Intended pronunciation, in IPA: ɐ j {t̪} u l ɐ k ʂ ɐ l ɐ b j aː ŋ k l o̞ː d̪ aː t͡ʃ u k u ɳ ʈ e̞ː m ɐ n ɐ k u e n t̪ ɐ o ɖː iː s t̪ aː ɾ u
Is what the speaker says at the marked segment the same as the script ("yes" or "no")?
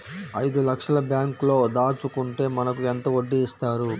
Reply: no